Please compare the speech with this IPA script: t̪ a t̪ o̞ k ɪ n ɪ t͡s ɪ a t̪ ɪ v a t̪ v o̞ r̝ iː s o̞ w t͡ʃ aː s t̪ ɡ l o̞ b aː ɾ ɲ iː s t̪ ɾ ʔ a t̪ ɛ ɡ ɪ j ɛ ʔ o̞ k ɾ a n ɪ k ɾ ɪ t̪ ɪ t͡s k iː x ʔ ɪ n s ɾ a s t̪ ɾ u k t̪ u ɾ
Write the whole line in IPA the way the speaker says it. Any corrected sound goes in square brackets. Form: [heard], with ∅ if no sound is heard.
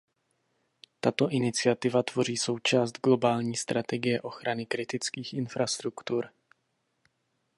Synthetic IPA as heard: t̪ a t̪ o̞ [ʔ] ɪ n ɪ t͡s ɪ a t̪ ɪ v a t̪ v o̞ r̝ iː s o̞ w t͡ʃ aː s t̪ ɡ l o̞ b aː [l] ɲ iː s t̪ ɾ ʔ a t̪ ɛ ɡ ɪ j ɛ ʔ o̞ [x] ɾ a n ɪ k ɾ ɪ t̪ ɪ t͡s k iː x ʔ ɪ n [f] ɾ a s t̪ ɾ u k t̪ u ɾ